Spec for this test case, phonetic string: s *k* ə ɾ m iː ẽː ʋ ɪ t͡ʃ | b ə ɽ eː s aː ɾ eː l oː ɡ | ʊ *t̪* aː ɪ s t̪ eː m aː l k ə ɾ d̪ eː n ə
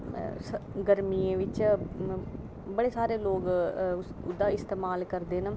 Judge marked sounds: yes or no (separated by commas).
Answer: no, no